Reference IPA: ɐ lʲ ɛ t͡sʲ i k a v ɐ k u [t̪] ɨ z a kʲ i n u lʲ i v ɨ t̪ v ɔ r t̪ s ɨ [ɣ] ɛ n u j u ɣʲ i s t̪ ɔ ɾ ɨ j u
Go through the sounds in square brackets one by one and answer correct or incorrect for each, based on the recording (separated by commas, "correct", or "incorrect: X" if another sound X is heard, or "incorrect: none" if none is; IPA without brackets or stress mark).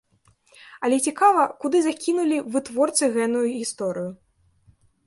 incorrect: d̪, correct